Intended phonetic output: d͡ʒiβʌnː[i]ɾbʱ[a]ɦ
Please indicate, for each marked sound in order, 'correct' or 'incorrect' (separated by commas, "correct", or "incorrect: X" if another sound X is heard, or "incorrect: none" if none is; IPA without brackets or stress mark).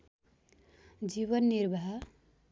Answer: correct, correct